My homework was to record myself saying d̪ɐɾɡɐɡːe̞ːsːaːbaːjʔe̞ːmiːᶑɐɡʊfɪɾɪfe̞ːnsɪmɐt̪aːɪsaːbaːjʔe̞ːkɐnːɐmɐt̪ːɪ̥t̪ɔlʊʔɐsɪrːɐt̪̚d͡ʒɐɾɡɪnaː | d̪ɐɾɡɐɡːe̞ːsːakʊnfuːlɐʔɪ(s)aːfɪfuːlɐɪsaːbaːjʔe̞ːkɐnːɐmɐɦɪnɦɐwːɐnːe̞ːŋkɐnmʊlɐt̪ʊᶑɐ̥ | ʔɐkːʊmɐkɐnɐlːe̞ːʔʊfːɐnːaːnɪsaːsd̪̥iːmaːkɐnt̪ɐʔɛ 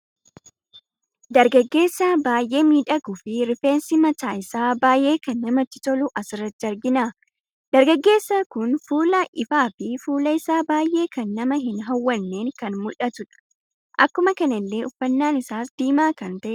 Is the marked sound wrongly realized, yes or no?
yes